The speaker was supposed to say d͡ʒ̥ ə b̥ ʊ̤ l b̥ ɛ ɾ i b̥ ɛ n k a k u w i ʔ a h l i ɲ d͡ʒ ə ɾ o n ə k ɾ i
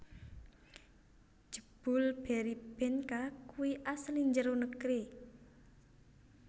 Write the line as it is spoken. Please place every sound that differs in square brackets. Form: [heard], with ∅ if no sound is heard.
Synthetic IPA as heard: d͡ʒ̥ ə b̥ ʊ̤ l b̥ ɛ ɾ i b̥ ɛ n k a k u w i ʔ a [s] l i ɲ d͡ʒ ə ɾ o n ə k ɾ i